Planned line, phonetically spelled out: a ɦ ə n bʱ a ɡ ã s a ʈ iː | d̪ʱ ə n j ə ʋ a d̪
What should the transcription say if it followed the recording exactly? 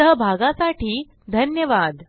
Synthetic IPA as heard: ə ɦ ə bʱ a ɡ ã s a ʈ iː | d̪ʱ ə n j ə ʋ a d̪